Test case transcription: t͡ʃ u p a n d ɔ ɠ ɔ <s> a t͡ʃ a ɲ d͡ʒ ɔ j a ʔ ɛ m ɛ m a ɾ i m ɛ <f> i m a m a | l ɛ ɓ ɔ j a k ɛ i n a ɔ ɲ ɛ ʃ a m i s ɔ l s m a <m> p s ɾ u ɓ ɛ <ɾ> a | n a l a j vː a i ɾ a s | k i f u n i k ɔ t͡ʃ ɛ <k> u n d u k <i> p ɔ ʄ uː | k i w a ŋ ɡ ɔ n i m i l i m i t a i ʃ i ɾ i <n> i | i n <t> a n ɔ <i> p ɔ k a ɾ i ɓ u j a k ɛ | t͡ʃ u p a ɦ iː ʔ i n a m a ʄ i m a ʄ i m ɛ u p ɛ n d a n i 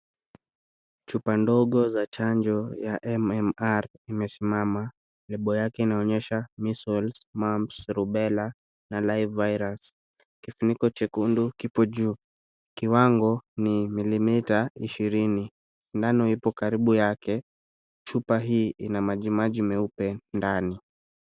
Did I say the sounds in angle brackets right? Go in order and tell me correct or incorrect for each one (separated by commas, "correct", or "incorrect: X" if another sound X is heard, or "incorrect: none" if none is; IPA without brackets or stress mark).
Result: incorrect: z, incorrect: s, correct, incorrect: l, correct, correct, correct, incorrect: d, correct